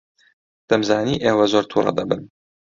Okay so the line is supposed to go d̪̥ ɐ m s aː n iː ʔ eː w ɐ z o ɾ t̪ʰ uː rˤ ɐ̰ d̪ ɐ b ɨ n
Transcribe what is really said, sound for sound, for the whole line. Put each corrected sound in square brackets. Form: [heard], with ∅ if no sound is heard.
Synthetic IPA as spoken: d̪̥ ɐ m [z] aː n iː ʔ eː w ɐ z o ɾ t̪ʰ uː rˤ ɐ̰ d̪ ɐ b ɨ n

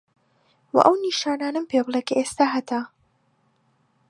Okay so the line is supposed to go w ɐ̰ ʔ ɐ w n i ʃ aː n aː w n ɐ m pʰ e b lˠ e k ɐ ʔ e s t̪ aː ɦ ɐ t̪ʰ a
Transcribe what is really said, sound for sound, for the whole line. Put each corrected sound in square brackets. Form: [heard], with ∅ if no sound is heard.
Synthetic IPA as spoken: w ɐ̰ ʔ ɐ w n i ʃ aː n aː [∅] n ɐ m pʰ e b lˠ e k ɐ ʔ e s t̪ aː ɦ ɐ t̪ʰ a

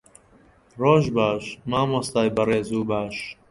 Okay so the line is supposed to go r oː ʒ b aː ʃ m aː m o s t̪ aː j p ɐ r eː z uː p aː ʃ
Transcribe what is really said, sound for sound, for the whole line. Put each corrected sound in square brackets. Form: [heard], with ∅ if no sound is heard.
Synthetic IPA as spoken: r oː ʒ b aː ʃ m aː m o s t̪ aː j [b] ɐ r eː z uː [b] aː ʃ

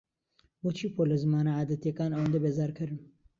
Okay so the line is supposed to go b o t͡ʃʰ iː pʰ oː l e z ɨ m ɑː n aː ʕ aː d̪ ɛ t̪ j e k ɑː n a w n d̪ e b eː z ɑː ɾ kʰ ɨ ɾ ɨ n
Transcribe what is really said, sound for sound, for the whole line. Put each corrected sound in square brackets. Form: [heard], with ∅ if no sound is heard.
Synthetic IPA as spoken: b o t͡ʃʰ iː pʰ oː l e z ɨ m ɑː n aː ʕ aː d̪ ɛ t̪ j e k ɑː n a w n d̪ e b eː z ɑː ɾ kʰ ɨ ɾ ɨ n

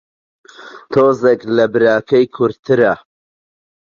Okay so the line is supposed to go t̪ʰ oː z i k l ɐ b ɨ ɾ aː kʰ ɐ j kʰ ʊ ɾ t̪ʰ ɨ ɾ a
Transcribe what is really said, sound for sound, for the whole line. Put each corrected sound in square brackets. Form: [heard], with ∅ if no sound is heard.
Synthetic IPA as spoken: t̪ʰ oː z [e] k l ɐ b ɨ ɾ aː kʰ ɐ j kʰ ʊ ɾ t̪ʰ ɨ ɾ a

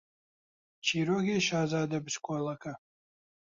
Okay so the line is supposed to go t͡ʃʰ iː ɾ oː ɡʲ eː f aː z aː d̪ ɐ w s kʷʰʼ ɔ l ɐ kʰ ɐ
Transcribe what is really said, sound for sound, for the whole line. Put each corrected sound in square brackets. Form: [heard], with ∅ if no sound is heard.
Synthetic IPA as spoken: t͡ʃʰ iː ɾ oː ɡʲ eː [ʃ] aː z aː d̪ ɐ [b] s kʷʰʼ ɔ l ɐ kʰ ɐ

